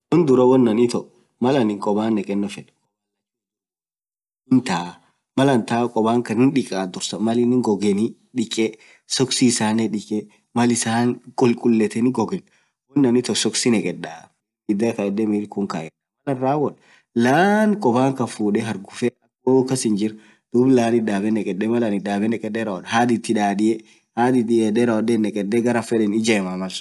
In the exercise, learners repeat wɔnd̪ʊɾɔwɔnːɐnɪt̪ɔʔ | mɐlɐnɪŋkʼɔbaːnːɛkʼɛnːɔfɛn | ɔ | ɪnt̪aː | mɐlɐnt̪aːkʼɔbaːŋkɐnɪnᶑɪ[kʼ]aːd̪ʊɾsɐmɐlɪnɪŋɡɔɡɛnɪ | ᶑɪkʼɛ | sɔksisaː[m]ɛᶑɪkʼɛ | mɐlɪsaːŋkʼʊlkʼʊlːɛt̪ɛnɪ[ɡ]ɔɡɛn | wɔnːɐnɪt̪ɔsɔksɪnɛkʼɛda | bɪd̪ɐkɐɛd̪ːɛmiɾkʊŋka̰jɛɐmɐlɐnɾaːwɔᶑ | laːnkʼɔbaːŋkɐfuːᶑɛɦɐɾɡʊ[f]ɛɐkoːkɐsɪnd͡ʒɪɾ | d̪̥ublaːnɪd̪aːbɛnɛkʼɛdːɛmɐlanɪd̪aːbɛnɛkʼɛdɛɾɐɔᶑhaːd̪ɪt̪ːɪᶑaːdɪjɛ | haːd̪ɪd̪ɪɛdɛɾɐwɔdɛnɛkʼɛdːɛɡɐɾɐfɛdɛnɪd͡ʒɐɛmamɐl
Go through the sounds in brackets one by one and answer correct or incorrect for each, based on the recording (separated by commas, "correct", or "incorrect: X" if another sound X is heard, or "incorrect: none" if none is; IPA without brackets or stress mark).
correct, incorrect: n, correct, correct